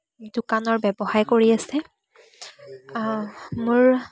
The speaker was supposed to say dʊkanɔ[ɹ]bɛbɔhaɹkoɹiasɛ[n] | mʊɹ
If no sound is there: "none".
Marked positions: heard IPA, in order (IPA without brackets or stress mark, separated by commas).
ɹ, none